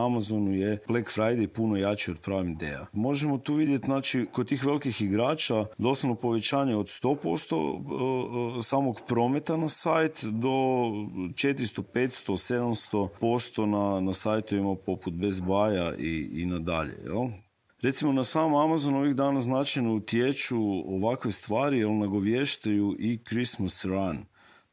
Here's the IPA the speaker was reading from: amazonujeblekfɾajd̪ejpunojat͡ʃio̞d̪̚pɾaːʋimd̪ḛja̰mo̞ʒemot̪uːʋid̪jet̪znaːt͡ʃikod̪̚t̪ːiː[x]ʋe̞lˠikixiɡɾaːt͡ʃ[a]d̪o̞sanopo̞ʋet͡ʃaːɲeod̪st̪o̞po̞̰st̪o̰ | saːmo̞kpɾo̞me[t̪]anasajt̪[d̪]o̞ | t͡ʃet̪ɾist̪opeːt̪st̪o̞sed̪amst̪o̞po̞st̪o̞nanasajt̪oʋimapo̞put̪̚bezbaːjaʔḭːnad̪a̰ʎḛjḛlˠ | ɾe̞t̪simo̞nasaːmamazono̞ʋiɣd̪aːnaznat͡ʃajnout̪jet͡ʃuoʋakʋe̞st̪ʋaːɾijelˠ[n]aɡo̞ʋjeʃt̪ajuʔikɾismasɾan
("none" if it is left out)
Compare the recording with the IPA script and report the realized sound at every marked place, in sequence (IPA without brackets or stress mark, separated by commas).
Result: x, a, t̪, d̪, n